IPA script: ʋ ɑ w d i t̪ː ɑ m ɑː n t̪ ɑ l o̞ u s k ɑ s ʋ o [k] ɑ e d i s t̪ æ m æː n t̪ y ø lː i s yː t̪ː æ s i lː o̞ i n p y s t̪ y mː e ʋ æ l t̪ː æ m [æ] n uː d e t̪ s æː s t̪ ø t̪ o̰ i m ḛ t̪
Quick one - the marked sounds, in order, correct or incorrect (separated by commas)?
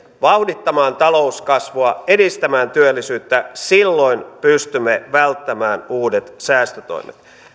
incorrect, incorrect